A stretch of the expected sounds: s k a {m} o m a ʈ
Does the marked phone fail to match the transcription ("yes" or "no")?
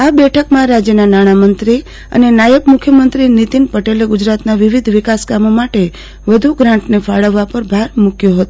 no